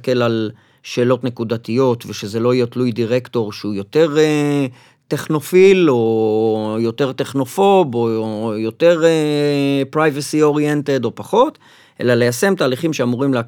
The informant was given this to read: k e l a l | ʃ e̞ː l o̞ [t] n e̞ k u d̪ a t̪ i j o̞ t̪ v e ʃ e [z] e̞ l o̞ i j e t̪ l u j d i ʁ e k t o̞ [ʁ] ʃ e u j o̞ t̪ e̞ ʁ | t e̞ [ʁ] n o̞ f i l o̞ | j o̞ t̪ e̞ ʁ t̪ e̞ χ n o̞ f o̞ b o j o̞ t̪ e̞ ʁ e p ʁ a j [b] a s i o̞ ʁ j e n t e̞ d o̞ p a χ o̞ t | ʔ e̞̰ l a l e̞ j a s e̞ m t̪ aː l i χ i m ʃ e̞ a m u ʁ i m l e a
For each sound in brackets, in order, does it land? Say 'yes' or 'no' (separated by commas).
yes, yes, yes, no, no